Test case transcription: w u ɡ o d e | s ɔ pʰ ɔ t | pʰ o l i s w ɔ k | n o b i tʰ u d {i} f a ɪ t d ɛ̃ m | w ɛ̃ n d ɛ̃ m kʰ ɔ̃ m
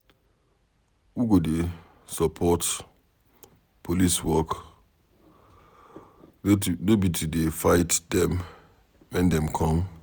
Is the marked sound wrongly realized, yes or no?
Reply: yes